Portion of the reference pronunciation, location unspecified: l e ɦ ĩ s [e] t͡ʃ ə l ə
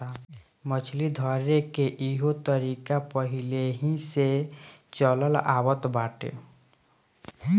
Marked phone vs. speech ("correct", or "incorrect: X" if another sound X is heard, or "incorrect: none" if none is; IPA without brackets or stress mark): correct